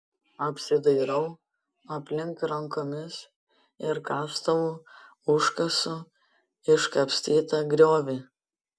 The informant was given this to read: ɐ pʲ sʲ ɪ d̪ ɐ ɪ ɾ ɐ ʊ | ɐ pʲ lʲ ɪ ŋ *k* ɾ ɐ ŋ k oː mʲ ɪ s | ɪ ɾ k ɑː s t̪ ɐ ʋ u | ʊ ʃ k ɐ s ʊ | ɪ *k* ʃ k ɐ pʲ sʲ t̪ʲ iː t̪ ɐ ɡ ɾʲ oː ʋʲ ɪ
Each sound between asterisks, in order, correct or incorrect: correct, incorrect

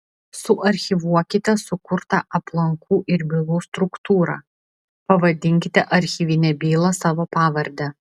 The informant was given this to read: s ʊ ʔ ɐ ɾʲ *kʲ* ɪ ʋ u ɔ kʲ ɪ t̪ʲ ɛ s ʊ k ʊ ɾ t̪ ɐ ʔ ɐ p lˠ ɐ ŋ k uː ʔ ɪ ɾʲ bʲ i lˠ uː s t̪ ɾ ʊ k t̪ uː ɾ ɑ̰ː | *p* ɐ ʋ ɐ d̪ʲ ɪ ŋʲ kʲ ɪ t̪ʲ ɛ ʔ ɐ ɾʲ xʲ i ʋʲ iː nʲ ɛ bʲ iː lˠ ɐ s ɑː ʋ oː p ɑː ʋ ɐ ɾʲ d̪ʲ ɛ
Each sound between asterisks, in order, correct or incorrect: incorrect, correct

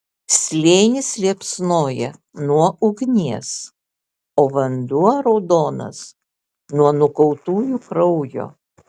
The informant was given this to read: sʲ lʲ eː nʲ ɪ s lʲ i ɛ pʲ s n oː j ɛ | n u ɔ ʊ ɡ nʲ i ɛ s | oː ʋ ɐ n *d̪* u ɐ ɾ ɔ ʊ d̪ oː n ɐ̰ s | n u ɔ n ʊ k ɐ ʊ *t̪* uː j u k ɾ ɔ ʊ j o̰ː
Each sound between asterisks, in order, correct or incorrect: correct, correct

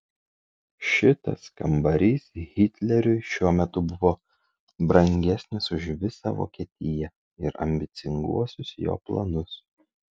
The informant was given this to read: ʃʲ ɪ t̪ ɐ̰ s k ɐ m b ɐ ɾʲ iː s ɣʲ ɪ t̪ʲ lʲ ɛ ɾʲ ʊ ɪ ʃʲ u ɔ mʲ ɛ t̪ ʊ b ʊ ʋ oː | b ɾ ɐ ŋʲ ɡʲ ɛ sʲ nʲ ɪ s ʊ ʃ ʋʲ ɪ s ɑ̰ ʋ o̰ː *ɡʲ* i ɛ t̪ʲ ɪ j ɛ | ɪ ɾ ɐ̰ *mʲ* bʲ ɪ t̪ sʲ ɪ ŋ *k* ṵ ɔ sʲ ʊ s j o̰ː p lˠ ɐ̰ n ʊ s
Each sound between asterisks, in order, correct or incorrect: incorrect, correct, incorrect

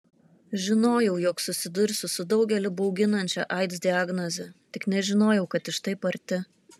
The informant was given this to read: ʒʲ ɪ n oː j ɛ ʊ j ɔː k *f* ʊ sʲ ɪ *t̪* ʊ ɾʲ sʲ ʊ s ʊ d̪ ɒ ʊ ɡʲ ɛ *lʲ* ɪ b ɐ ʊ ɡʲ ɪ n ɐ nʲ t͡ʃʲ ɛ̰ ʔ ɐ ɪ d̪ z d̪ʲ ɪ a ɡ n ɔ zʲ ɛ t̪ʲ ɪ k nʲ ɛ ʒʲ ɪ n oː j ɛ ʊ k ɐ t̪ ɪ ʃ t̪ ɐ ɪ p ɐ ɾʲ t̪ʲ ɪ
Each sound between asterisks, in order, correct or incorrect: incorrect, incorrect, correct

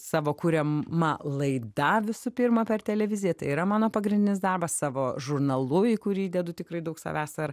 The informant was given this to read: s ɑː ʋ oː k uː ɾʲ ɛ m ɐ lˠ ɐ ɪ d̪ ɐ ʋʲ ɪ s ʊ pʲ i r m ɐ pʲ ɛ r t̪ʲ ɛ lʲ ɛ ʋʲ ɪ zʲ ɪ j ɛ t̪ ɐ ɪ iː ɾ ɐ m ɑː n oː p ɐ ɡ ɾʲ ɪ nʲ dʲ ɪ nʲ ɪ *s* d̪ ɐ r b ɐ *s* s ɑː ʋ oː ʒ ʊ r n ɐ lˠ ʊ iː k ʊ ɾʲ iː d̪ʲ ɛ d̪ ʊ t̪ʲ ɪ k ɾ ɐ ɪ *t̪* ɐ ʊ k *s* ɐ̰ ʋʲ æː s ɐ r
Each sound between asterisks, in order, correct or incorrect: correct, correct, incorrect, correct

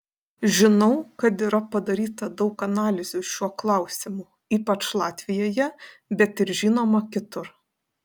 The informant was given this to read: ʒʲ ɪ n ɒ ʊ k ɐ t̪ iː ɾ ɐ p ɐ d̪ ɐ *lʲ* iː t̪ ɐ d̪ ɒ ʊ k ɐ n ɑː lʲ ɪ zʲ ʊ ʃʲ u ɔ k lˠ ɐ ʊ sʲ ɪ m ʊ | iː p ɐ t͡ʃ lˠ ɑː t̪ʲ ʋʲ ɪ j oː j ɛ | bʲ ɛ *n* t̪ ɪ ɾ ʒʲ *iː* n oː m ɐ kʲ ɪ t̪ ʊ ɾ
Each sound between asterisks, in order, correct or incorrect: incorrect, incorrect, correct

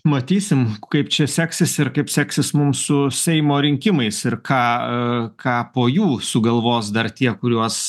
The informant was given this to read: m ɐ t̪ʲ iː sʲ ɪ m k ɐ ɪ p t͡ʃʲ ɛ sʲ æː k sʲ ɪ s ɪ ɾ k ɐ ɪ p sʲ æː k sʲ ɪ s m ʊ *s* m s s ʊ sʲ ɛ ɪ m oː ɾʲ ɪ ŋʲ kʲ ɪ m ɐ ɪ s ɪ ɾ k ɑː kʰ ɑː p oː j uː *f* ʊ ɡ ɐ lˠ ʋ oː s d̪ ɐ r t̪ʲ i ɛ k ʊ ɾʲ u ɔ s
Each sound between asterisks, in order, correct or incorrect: incorrect, incorrect

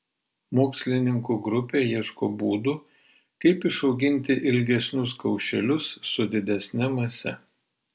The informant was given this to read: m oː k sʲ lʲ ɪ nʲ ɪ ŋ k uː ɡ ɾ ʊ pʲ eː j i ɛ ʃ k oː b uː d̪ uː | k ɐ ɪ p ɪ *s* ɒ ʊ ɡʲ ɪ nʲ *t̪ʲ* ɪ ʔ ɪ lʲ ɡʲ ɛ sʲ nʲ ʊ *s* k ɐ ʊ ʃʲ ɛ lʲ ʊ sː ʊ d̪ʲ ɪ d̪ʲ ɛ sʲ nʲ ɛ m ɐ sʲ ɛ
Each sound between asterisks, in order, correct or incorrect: incorrect, correct, correct

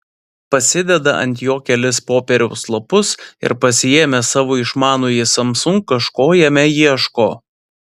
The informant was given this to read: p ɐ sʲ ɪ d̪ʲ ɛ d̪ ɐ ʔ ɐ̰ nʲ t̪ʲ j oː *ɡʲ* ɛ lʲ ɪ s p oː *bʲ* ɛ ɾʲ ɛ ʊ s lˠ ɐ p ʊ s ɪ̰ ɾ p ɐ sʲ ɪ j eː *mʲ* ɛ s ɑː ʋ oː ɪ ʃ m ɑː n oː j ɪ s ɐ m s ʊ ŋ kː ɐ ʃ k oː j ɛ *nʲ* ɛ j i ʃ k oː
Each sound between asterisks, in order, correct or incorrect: incorrect, incorrect, correct, incorrect

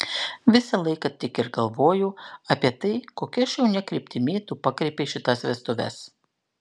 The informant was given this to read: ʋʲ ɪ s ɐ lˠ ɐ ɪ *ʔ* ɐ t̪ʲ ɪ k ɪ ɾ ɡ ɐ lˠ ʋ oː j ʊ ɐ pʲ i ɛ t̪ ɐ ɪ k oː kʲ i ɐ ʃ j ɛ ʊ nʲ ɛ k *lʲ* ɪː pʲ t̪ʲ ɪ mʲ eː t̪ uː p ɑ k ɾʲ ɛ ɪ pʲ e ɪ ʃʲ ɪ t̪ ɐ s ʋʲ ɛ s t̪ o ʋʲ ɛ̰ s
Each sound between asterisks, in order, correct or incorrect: incorrect, incorrect

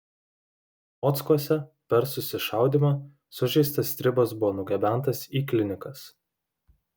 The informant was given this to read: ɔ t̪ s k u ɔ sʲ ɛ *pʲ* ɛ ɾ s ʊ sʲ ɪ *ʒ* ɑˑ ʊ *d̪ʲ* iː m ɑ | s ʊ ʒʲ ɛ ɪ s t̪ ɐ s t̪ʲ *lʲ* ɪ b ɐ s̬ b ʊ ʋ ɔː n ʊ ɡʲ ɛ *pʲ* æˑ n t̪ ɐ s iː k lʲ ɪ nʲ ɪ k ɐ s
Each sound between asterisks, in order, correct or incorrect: correct, incorrect, correct, incorrect, incorrect

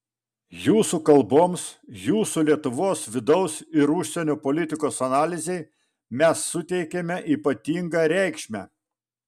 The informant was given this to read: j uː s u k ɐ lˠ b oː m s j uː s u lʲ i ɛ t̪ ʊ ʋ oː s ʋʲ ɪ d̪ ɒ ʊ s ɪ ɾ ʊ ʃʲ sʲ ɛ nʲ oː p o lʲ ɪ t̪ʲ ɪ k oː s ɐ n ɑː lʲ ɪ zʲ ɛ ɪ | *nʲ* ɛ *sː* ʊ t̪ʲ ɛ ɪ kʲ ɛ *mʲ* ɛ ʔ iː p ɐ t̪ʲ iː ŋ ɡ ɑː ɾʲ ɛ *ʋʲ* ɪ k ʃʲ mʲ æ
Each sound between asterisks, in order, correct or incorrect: incorrect, correct, correct, incorrect

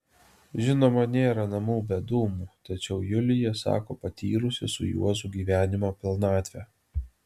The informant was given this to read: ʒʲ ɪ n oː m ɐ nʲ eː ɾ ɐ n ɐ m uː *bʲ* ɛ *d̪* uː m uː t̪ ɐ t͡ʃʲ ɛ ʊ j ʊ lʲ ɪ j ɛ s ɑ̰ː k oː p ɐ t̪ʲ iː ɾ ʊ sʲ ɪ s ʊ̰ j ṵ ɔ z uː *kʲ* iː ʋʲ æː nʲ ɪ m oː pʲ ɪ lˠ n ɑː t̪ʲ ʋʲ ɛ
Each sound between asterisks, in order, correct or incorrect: correct, correct, incorrect

